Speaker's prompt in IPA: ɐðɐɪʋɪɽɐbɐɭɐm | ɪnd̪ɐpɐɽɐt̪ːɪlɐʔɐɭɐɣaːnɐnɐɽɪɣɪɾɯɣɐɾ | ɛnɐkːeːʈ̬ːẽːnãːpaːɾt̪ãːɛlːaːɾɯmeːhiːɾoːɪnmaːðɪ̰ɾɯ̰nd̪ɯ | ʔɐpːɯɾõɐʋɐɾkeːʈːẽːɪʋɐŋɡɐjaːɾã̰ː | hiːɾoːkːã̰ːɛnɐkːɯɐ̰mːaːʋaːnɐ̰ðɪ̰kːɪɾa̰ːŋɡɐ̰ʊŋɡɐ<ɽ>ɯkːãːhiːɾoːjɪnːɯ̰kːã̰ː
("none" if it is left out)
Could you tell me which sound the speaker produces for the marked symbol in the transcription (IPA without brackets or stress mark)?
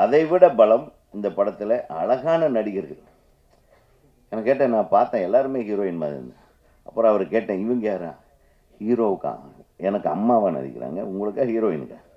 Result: ɭ